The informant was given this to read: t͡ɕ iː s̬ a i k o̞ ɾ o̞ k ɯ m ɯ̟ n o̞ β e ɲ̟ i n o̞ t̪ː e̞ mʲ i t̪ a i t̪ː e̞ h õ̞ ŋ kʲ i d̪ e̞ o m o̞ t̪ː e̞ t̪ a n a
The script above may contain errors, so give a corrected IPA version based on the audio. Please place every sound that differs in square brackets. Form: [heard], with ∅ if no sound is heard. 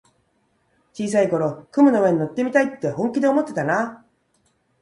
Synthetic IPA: t͡ɕ iː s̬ a i k o̞ ɾ o̞ k ɯ m ɯ̟ n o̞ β e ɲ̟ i n o̞ t̪ː e̞ mʲ i t̪ a i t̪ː e̞ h õ̞ ŋ kʲ i d̪ e̞ o m o̞ t̪ː e̞ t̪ a n a